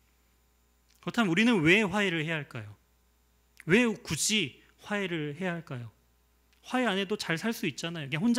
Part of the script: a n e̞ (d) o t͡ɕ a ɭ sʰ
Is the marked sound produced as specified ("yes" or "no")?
yes